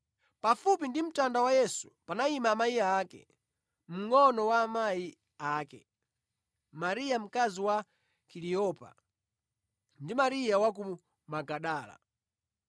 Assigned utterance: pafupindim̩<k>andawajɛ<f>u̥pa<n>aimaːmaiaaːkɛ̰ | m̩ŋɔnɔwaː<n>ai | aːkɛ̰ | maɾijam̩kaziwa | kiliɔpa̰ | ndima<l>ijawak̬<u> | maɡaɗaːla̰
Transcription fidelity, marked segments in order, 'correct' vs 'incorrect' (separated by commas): incorrect, incorrect, correct, incorrect, incorrect, correct